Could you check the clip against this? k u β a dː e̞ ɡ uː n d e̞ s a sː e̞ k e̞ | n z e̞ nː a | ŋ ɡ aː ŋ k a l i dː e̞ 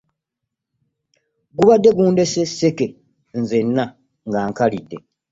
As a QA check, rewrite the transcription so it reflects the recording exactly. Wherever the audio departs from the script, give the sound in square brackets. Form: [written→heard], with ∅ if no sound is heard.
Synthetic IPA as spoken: [k→ɡ] u β a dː e̞ ɡ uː n d e̞ s [a→e] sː e̞ k e̞ | n z e̞ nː a | ŋ ɡ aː ŋ k a l i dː e̞

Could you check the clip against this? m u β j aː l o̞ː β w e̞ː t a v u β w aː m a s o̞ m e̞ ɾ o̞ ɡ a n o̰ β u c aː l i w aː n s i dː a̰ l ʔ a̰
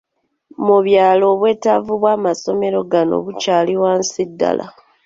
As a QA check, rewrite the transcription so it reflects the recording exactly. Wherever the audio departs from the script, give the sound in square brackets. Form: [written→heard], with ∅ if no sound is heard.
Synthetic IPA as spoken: m u β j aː l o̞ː β w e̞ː t a v u β w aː m a s o̞ m e̞ ɾ o̞ ɡ a n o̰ β u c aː l i w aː n s i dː a̰ l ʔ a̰

